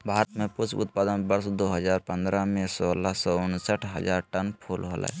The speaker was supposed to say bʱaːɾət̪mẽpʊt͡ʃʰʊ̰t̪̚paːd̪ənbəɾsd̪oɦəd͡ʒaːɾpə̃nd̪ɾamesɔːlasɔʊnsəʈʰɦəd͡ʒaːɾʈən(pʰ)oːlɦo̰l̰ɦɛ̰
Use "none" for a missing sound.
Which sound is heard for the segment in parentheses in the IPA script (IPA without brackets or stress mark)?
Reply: pʰ